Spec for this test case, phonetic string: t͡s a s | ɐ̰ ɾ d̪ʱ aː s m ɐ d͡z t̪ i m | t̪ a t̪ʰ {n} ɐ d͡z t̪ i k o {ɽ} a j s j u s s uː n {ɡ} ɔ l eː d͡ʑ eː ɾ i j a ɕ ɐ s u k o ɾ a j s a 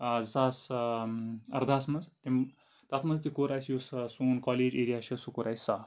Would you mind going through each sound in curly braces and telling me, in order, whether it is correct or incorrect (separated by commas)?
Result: incorrect, incorrect, incorrect